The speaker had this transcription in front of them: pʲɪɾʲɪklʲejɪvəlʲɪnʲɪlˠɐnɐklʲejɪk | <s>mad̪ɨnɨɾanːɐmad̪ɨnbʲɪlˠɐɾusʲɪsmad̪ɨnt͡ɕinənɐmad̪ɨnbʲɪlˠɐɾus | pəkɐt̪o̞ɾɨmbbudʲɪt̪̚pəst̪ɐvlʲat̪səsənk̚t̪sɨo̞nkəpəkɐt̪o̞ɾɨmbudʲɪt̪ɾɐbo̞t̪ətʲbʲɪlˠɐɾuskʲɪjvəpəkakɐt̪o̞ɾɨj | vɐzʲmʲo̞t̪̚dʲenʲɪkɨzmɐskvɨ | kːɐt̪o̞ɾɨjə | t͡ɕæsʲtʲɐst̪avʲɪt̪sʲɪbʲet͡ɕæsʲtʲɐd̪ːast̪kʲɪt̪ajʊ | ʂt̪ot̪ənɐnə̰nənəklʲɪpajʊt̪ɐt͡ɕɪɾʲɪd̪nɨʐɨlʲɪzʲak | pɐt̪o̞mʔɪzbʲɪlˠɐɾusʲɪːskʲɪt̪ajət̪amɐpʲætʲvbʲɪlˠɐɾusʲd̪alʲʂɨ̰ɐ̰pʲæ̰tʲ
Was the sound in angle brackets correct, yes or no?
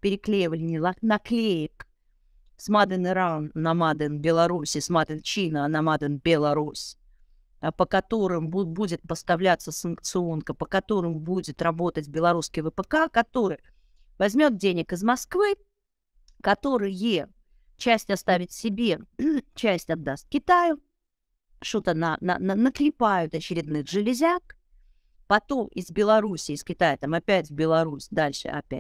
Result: yes